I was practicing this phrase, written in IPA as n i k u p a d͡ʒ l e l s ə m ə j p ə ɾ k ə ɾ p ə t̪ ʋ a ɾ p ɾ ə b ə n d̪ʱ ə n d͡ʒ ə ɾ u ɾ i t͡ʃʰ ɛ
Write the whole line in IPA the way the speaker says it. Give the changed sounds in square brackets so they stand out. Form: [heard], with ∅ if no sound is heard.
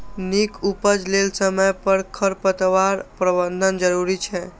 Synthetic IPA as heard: n i k u p [ə] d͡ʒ l e l s ə m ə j p ə ɾ [kʰ] ə ɾ p ə t̪ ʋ a ɾ p ɾ ə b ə n d̪ʱ ə n d͡ʒ ə ɾ u ɾ i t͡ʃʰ ɛ